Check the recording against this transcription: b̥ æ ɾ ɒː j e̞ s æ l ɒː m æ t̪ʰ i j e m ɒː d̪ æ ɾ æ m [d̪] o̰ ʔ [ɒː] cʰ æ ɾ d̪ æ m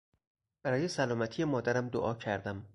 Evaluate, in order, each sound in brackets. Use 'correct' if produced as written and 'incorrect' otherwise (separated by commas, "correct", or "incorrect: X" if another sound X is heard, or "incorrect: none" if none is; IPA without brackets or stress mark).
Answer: correct, correct